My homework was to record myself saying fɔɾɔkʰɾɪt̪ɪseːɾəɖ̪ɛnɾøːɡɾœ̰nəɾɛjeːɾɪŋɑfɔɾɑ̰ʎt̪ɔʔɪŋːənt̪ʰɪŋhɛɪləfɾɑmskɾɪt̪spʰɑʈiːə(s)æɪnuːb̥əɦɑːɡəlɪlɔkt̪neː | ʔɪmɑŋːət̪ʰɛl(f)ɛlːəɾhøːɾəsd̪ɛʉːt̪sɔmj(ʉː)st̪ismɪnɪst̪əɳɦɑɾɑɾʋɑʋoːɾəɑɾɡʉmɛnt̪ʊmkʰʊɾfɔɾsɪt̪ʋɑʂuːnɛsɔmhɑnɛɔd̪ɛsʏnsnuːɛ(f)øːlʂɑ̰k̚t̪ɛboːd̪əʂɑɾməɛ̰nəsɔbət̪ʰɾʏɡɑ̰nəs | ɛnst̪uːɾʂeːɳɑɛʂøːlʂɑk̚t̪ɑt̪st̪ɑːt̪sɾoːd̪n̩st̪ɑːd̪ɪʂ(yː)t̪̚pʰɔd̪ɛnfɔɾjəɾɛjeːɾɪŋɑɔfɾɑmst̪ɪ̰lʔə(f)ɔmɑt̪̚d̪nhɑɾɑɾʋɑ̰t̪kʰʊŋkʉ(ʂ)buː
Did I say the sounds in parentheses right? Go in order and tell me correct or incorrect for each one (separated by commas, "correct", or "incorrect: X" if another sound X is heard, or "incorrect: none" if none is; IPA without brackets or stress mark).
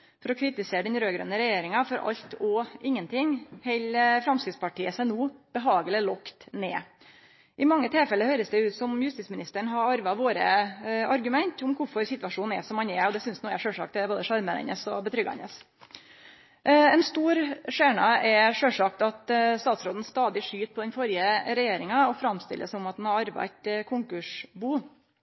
correct, correct, incorrect: ʉ, incorrect: ʂ, correct, incorrect: s, correct